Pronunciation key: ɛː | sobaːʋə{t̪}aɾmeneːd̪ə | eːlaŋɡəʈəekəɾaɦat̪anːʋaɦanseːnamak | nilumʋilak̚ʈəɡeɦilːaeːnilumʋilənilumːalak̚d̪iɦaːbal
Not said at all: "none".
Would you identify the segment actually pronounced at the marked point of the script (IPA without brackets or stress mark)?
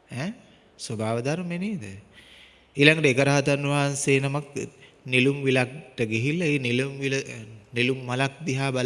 d̪